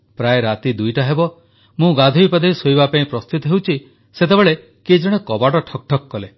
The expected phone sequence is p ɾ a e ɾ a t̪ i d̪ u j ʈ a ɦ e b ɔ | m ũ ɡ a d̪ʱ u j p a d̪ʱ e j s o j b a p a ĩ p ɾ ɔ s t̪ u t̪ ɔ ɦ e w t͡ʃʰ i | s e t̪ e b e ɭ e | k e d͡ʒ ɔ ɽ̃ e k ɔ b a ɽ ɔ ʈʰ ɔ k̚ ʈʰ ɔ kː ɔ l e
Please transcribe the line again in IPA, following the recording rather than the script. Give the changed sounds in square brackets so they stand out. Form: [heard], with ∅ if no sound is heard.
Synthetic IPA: p ɾ a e ɾ a t̪ i d̪ u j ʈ a ɦ e b ɔ | m ũ ɡ a d̪ʱ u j p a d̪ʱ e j s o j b a p a ĩ p ɾ ɔ s t̪ u t̪ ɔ ɦ e w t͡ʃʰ i | s e t̪ e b e ɭ e | k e d͡ʒ ɔ ɽ̃ e k ɔ b a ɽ ɔ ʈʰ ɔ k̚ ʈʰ ɔ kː ɔ l e